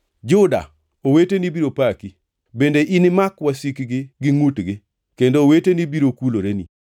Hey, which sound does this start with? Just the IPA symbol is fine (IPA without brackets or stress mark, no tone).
d͡ʒ